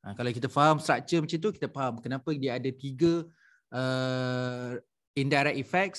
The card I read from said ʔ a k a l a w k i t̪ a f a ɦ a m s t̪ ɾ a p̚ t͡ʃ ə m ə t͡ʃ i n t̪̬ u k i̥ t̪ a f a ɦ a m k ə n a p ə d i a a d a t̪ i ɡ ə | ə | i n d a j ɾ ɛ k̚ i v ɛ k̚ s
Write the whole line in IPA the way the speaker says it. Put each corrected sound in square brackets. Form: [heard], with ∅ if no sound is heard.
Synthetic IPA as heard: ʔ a k a l a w k i t̪ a f a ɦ a m s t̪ ɾ a [k̚] t͡ʃ ə m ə t͡ʃ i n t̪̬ u k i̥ t̪ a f a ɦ a m k ə n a p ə d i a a d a t̪ i ɡ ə | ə | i n d a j ɾ ɛ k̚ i [f] ɛ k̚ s